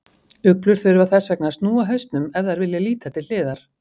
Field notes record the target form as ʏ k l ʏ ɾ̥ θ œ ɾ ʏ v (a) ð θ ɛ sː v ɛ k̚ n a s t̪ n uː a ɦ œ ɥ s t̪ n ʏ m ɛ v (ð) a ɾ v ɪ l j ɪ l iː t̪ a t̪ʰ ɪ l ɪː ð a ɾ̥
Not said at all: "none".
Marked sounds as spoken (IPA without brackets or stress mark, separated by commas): a, ð